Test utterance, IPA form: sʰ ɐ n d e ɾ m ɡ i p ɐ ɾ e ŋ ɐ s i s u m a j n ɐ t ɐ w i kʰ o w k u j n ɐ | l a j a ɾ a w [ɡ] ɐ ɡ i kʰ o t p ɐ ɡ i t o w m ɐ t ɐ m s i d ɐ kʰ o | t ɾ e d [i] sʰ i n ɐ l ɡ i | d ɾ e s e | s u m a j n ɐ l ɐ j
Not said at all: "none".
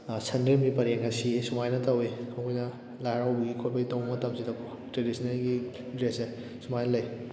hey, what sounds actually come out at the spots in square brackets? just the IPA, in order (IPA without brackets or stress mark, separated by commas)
b, i